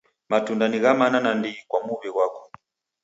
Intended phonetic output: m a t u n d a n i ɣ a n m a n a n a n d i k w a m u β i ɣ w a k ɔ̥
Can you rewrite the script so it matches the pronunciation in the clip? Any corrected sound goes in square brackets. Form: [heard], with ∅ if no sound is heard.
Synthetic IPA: m a t u n d a n i ɣ a [∅] m a n a n a n d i k w a m u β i ɣ w a k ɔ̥

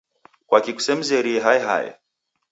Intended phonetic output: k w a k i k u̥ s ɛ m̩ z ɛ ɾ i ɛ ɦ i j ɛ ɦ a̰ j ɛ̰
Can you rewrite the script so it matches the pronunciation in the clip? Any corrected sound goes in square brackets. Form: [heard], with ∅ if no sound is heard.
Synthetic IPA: k w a k i k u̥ s ɛ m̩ z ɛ ɾ i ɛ ɦ [a] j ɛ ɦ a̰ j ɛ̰

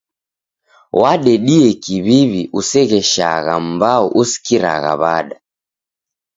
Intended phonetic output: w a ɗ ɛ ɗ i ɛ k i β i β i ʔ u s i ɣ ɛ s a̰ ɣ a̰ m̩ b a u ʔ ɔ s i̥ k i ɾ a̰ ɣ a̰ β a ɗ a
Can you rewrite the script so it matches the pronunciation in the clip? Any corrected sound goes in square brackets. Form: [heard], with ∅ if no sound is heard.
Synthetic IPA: w a ɗ ɛ ɗ i ɛ k i β i β i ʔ u s [ɛ] ɣ ɛ [ʃ] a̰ ɣ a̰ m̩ b a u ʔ [u] s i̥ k i ɾ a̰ ɣ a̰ β a ɗ a

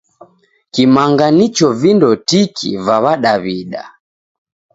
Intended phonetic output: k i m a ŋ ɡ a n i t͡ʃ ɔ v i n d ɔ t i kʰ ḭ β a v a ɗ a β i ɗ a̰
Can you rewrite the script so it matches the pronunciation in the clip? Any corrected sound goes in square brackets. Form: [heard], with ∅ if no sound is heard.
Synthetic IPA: k i m a ŋ ɡ a n i t͡ʃ ɔ v i n d ɔ t i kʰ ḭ [v] a [β] a ɗ a β i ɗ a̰

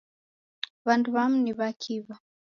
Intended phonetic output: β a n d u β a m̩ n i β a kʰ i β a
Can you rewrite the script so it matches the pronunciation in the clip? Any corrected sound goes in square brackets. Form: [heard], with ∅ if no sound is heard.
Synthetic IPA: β a n d u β a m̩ n i β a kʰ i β a

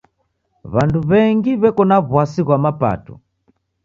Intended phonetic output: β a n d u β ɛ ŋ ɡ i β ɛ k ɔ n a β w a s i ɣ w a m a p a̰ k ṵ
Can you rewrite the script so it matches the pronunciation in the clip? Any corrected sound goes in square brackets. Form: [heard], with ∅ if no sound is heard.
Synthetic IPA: β a n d u β ɛ ŋ ɡ i β ɛ k ɔ n a β w a s i ɣ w a m a p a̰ [t] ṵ

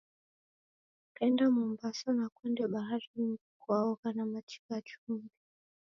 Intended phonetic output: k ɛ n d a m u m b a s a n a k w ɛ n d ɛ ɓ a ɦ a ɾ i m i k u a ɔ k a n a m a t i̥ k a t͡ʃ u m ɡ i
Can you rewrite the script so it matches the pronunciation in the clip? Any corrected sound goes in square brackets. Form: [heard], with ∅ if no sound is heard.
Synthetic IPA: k ɛ n d a m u m b a s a n a k w ɛ n d ɛ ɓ a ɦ a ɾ i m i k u a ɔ k a n a m a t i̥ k a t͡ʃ u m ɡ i

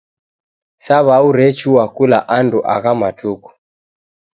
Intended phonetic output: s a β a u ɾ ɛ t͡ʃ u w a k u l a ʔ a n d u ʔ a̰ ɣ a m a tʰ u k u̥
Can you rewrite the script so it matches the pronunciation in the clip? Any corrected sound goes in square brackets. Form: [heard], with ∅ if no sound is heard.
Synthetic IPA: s a β a u ɾ ɛ t͡ʃ u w a k u l a ʔ a n d u ʔ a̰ ɣ a m a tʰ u k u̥

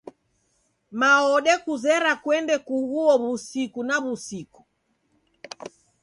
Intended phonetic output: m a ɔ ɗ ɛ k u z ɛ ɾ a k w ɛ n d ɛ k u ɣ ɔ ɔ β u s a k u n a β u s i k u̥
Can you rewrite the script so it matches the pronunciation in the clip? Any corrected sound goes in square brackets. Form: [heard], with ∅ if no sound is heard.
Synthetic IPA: m a ɔ ɗ ɛ k u z ɛ ɾ a k w ɛ n d ɛ k u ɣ [u] ɔ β u s [i] k u n a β u s i k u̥

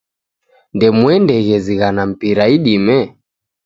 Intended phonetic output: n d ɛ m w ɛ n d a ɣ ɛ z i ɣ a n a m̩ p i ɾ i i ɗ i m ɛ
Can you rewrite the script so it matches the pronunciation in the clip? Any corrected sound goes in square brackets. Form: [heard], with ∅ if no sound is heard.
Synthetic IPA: n d ɛ m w ɛ n d [ɛ] ɣ ɛ z i ɣ a n a m̩ p i ɾ [a] i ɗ i m ɛ

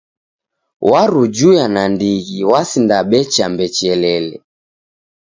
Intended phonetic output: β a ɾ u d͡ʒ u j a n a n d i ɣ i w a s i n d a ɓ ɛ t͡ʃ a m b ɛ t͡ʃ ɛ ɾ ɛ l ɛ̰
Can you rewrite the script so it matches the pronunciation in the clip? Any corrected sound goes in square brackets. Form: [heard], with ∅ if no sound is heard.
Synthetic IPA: [w] a ɾ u d͡ʒ u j a n a n d i ɣ i w a s i n d a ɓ ɛ t͡ʃ a m b ɛ t͡ʃ ɛ [l] ɛ l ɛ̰

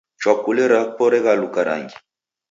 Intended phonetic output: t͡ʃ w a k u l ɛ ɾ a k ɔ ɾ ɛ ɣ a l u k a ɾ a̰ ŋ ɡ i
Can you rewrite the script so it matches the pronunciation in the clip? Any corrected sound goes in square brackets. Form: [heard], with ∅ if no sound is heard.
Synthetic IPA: t͡ʃ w a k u l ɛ ɾ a [p] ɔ ɾ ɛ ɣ a l u k a ɾ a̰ ŋ ɡ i

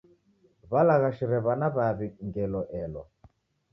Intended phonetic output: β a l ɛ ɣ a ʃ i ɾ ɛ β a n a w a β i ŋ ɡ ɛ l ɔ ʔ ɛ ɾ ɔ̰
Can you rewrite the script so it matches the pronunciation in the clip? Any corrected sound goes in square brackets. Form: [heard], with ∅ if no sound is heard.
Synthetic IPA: β a l [a] ɣ a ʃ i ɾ ɛ β a n a [β] a β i ŋ ɡ ɛ l ɔ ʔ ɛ [l] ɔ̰

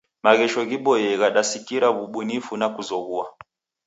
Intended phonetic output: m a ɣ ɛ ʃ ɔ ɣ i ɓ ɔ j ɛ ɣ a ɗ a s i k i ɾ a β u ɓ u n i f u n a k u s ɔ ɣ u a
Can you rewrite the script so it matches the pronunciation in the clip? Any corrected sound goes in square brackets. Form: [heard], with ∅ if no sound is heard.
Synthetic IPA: m a ɣ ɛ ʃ ɔ ɣ i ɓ ɔ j ɛ ɣ a ɗ a s i k i ɾ a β u ɓ u n i f u n a k u [z] ɔ ɣ u a

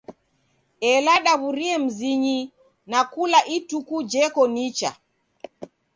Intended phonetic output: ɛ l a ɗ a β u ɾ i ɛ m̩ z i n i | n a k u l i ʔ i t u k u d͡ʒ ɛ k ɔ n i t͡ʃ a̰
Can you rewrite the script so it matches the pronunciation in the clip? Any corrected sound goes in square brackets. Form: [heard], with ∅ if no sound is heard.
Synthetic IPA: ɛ l a ɗ a β u ɾ i ɛ m̩ z i [ɲ] i | n a k u l [a] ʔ i t u k u d͡ʒ ɛ k ɔ n i t͡ʃ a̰

